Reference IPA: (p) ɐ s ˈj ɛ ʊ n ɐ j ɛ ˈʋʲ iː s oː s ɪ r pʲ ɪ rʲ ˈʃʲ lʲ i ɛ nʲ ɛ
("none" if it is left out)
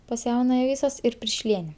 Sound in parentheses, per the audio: p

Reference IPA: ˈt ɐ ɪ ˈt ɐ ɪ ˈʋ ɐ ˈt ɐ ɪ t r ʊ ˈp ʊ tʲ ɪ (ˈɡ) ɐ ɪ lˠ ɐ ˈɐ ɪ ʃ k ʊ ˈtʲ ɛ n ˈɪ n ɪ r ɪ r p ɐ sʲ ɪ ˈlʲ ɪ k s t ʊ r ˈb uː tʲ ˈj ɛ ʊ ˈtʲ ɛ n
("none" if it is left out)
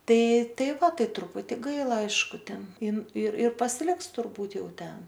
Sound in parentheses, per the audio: ɡ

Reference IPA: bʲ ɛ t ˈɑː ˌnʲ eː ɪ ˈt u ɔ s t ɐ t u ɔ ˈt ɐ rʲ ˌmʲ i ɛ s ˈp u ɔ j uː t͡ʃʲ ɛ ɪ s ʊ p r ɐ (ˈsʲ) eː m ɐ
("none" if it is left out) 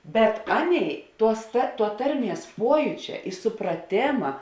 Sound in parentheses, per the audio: tʲ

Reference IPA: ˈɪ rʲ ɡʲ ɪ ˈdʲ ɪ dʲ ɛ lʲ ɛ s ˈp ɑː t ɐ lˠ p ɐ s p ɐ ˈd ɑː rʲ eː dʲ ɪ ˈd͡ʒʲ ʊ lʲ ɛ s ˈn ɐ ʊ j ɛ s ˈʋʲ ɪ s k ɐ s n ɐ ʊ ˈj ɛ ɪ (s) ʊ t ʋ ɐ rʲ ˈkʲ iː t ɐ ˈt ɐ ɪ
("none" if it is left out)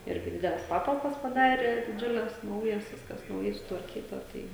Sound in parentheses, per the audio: s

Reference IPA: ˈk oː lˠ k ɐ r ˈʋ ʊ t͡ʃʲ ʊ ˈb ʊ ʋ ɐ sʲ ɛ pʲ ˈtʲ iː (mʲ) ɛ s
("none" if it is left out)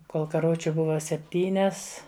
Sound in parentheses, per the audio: nʲ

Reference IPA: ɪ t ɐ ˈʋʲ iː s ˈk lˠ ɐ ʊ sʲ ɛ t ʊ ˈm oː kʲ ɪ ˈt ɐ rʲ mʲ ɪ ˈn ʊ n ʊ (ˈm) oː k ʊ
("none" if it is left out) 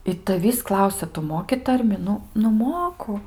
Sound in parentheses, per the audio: m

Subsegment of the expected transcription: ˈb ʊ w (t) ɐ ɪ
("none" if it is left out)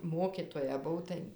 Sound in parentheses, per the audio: t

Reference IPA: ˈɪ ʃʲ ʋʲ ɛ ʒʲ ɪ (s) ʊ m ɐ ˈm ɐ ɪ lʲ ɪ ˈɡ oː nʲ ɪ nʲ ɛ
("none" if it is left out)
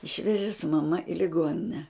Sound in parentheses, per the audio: s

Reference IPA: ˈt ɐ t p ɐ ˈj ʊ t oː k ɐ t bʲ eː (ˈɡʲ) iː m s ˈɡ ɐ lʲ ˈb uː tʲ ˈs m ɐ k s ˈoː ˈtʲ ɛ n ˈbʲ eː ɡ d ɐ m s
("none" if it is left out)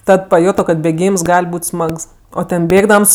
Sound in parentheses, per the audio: ɡʲ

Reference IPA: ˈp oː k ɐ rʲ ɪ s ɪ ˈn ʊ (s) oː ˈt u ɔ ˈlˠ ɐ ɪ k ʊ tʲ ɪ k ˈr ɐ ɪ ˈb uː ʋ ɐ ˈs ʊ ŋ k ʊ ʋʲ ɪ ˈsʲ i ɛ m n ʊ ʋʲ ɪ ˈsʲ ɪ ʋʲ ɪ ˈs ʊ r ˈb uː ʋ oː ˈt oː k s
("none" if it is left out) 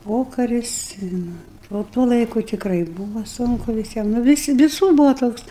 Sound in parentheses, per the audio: none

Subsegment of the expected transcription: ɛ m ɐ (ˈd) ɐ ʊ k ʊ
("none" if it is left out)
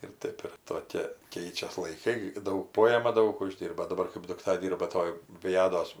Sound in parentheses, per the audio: d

